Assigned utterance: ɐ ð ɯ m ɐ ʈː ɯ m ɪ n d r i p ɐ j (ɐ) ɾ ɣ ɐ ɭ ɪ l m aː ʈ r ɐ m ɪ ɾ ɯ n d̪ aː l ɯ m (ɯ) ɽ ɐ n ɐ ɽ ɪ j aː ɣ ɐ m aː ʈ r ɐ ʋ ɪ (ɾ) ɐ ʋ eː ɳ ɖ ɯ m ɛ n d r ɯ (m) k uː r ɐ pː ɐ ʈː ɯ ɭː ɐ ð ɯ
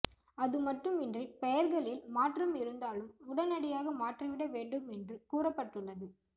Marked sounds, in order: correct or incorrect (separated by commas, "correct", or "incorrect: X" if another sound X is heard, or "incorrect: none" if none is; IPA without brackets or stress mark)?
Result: correct, incorrect: ʊ, incorrect: ɽ, incorrect: none